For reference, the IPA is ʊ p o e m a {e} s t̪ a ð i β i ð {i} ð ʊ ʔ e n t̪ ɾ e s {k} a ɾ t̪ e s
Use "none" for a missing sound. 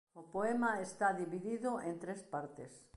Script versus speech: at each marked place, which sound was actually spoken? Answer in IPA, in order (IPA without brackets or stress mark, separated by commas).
e, i, p